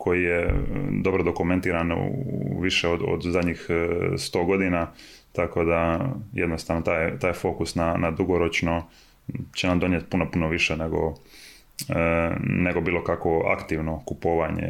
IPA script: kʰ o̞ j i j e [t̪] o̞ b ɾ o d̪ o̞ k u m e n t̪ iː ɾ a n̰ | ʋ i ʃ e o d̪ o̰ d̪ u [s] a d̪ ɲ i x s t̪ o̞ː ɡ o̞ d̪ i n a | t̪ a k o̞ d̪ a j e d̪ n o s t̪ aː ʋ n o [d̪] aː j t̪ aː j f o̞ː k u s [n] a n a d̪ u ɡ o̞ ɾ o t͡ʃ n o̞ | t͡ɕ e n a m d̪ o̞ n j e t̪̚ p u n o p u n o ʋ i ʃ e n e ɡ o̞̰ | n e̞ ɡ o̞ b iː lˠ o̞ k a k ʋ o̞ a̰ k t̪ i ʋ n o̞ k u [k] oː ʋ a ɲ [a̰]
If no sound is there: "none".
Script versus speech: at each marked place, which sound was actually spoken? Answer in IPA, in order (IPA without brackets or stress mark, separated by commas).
d̪, z, t̪, n, p, ḛ